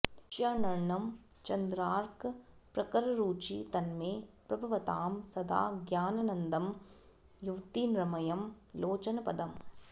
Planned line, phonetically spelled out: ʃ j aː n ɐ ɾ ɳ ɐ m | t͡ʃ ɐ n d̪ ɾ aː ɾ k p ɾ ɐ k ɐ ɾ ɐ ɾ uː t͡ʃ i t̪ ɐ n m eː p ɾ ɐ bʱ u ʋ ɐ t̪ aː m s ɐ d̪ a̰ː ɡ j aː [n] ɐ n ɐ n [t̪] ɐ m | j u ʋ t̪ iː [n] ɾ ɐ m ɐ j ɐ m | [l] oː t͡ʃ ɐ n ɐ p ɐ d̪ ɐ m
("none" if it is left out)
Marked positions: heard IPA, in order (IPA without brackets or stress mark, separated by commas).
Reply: n, d̪, n, l